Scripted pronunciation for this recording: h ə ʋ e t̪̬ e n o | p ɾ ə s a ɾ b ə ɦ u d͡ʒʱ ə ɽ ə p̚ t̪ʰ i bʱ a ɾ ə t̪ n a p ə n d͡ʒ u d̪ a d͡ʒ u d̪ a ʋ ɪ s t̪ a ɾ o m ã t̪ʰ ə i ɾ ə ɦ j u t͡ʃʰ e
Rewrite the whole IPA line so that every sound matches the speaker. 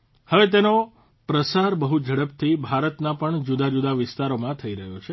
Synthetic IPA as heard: h ə ʋ e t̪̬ e n o | p ɾ ə s a ɾ b ə ɦ u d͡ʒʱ ə ɽ ə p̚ t̪ʰ i bʱ a ɾ ə t̪ n a p ə ɳ d͡ʒ u d̪ a d͡ʒ u d̪ a ʋ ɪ s t̪ a ɾ o m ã t̪ʰ ə i ɾ ə ɦ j o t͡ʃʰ e

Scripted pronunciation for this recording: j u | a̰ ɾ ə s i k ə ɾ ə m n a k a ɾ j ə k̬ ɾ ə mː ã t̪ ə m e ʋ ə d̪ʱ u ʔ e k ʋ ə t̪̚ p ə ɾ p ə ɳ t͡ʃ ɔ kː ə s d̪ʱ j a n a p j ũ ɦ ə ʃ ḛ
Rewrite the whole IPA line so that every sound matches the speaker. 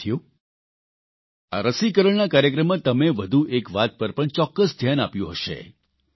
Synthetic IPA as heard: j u | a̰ ɾ ə s i k ə ɾ ə ɳ n a k a ɾ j ə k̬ ɾ ə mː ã t̪ ə m e ʋ ə d̪ʱ u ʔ e k ʋ a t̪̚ p ə ɾ p ə ɳ t͡ʃ ɔ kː ə s d̪ʱ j a n a p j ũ ɦ ə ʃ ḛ

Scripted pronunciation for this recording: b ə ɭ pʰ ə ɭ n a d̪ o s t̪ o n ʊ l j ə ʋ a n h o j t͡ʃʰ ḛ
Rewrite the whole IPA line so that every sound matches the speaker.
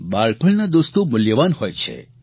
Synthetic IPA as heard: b a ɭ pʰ ə ɭ n a d̪ o s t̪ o m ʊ l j ə ʋ a n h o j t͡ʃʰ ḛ

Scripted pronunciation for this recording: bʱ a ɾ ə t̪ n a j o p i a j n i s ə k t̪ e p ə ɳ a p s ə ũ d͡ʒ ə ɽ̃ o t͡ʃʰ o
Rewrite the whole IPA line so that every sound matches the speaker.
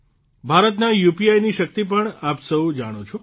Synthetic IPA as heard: bʱ a ɾ ə t̪ n a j u p i a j n i ʃ ə k t̪ i p ə ɳ a p s ə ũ d͡ʒ a ɽ̃ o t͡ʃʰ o

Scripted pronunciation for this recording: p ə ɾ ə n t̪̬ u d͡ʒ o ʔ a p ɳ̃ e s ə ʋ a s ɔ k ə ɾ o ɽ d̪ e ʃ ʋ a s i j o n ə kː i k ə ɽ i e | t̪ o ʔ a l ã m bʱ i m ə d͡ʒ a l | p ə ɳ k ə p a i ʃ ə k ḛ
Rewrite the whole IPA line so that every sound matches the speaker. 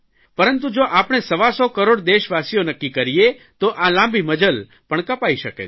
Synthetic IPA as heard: p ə ɾ ə n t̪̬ u d͡ʒ o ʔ a p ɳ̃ e s ə ʋ a s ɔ k ə ɾ o ɽ d̪ e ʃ ʋ a s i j o n ə kː i k ə ɾ i e | t̪ o ʔ a l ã m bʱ i m ə d͡ʒ ə l | p ə ɳ k ə p a i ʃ ə k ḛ

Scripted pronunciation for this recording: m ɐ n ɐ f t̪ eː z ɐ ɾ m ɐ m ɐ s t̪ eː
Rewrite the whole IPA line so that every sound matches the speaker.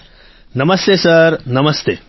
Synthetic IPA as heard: n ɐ m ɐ s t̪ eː s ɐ ɾ n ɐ m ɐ s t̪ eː

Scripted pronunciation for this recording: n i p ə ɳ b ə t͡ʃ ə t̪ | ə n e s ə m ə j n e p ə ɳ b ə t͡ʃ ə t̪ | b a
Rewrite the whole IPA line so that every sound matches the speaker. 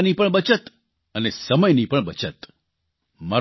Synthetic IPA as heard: n i p ə ɳ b ə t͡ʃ ə t̪ | ə n e s ə m ə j n i p ə ɳ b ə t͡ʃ ə t̪ | m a

